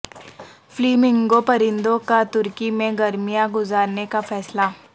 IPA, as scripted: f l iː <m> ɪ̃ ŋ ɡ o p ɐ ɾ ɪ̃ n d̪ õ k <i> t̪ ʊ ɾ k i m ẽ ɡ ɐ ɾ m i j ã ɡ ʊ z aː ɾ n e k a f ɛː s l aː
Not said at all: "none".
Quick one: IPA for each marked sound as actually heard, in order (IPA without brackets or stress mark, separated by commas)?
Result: m, a